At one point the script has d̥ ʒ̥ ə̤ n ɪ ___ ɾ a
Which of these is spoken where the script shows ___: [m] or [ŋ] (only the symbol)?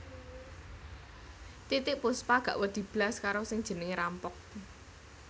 ŋ